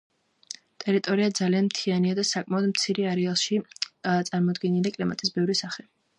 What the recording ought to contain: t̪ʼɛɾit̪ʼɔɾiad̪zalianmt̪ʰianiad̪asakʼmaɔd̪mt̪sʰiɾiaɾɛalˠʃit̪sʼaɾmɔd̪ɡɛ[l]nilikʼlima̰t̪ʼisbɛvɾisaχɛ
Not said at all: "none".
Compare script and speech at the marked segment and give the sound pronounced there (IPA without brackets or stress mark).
none